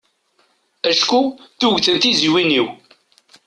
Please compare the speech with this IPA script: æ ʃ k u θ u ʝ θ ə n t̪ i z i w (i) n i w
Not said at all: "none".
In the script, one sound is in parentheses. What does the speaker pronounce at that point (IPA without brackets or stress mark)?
i